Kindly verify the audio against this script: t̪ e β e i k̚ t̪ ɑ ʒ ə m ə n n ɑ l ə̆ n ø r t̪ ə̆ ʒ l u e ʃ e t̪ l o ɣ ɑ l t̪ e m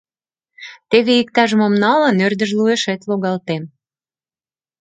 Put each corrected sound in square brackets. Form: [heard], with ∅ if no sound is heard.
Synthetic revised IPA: t̪ e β e i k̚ t̪ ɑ ʒ ə m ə [m] n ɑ l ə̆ n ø r [d̪] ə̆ ʒ l u e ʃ e t̪ l o ɣ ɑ l t̪ e m